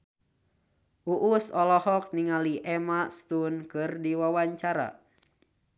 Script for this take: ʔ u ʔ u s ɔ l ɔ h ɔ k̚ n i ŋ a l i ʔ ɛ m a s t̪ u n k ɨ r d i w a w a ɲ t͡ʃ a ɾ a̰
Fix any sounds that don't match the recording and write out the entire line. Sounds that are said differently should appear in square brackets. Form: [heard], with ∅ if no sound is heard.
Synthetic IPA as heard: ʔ u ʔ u s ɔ l ɔ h ɔ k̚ n i ŋ a l i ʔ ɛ m a s t̪ u n k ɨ r d i w a w a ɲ t͡ʃ a ɾ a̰